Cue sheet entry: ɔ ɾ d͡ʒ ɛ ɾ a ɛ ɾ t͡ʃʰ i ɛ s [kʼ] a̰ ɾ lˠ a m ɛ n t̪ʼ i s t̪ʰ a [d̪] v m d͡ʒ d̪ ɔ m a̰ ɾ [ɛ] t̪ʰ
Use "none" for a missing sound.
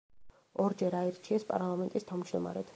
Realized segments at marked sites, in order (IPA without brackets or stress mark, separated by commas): pʼ, none, ɛ